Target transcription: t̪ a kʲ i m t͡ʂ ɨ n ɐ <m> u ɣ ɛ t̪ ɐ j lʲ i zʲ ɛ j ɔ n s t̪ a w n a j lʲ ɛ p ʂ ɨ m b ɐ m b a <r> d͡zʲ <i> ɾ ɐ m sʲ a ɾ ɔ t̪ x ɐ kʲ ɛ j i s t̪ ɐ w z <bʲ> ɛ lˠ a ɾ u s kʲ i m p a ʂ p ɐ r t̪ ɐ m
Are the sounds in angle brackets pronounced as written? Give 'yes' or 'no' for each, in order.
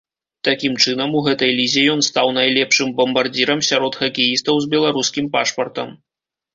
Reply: yes, yes, yes, yes

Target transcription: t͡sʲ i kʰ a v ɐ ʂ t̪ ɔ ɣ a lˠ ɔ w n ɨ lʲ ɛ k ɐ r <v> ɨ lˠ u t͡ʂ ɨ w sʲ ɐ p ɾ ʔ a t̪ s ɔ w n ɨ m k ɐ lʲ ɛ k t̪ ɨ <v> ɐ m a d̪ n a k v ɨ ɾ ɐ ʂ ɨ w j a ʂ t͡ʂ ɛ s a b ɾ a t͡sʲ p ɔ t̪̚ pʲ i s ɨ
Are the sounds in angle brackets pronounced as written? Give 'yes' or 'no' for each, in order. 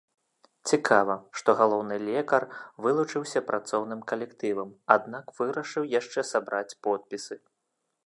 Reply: yes, yes

